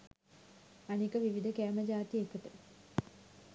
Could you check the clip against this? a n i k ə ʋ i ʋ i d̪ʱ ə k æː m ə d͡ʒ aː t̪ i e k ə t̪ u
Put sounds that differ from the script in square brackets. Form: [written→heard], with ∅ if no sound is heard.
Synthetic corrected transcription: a n i k ə ʋ i ʋ i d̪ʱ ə k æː m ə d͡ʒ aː t̪ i e k ə t̪ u